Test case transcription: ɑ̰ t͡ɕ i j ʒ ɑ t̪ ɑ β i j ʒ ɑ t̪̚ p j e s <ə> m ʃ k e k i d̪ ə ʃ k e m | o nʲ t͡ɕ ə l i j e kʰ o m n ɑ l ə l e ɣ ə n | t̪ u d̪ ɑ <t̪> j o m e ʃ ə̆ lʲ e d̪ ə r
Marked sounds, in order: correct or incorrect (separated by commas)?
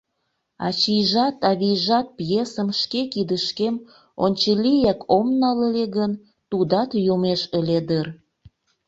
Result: correct, correct